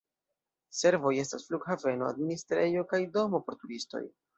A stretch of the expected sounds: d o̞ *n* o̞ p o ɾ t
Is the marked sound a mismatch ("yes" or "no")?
yes